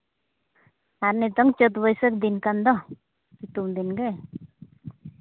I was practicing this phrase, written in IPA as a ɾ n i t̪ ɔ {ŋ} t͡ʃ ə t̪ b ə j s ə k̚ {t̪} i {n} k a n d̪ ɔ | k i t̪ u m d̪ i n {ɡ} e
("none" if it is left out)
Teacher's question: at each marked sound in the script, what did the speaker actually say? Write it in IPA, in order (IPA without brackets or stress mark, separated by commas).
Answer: ŋ, d̪, n, ɡ